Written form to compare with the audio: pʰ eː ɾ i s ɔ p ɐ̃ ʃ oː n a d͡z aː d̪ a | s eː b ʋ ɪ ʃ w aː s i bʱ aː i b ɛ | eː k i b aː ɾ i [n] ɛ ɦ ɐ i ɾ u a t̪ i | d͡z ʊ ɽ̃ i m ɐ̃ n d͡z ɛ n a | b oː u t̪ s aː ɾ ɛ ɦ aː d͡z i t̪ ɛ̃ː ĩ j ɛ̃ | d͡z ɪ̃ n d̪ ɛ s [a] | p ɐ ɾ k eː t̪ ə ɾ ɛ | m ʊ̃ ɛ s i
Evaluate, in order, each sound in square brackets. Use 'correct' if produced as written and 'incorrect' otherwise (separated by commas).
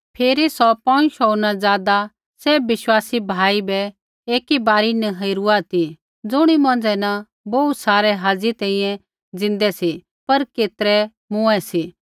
correct, incorrect